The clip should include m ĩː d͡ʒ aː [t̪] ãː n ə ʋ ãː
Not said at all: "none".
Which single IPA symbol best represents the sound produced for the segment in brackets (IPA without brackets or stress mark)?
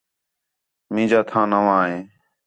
t̪ʰ